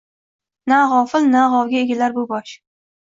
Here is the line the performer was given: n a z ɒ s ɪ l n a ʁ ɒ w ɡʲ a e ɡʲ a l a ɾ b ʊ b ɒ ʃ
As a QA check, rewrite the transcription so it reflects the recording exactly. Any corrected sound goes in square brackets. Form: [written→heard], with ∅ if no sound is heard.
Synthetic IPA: n a [z→ʁ] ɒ [s→f] ɪ l n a ʁ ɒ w ɡʲ a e ɡʲ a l a ɾ b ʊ b ɒ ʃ